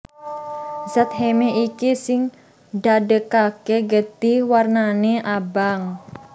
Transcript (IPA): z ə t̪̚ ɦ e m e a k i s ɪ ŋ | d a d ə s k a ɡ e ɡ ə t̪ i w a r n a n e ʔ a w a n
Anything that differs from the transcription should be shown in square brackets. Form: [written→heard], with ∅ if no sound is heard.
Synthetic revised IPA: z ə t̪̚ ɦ e m e [a→i] k i s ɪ ŋ | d a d ə [s→∅] k a [ɡ→k] e ɡ ə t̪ i w a r n a n e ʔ a [w→b] a [n→ŋ]